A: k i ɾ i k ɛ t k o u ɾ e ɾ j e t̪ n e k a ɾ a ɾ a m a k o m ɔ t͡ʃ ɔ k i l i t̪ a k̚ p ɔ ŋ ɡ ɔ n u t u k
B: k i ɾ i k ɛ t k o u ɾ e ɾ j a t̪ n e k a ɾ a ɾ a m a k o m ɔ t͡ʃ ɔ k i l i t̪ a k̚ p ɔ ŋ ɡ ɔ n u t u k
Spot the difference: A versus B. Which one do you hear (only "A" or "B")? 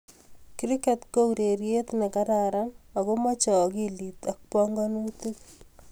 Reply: A